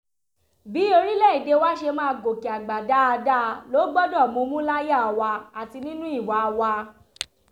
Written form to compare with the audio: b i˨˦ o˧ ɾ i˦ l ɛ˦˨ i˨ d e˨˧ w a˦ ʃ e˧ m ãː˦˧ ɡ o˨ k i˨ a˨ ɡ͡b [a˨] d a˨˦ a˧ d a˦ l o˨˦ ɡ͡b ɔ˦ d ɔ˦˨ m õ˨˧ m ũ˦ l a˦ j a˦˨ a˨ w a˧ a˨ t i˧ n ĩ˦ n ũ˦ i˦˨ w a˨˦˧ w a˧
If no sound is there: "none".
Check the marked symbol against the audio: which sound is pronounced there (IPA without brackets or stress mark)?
a˨